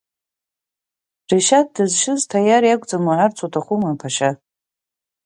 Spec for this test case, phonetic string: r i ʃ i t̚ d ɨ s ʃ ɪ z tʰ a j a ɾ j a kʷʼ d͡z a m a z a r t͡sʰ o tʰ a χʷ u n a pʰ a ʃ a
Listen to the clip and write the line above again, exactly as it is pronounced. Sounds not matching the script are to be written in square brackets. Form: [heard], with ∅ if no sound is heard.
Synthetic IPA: r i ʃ [a] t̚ d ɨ [z] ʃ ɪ z tʰ a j a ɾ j a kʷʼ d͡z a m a [ʕ] a r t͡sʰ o tʰ a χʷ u [m] a pʰ a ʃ a